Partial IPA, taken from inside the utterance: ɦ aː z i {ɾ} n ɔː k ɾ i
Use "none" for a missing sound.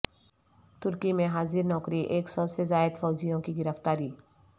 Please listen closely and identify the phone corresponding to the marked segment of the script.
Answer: ɾ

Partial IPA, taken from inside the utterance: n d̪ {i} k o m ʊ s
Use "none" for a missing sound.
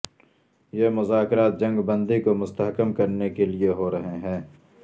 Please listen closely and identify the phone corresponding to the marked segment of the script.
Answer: i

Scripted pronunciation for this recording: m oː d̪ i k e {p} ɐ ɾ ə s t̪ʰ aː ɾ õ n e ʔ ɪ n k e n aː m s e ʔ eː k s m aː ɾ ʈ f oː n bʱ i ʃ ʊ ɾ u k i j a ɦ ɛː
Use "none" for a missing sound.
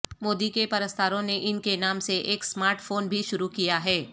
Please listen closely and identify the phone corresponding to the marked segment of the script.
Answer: p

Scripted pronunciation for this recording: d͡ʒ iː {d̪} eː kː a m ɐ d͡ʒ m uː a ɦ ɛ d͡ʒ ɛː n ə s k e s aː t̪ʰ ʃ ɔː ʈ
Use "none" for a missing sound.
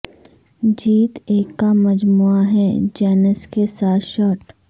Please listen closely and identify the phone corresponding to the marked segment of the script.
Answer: t̪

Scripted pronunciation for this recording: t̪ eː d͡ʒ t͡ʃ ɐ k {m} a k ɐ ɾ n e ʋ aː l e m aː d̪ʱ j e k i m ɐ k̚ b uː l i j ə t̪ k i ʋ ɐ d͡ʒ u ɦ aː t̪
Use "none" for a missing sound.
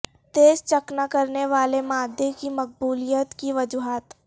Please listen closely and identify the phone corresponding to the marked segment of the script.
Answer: n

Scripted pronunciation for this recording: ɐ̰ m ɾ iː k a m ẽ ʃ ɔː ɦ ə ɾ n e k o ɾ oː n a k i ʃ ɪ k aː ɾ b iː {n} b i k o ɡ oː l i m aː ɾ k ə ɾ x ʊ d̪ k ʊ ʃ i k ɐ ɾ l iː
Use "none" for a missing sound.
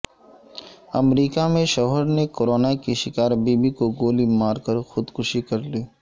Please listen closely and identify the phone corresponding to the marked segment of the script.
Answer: none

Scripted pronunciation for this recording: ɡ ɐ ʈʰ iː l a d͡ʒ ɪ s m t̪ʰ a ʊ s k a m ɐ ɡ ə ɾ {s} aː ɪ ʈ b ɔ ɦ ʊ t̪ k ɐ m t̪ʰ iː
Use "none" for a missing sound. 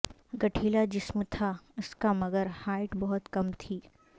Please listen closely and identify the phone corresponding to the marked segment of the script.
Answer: h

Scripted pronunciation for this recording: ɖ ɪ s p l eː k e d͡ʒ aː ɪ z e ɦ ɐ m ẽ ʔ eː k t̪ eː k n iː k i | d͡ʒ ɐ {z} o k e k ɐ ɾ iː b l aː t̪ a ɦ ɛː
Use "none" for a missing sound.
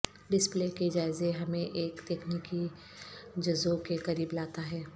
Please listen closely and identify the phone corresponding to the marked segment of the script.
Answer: z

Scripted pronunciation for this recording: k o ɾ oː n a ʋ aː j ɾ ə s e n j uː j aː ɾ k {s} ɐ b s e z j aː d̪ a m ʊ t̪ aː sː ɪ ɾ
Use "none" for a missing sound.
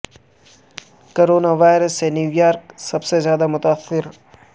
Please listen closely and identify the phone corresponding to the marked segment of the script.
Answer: s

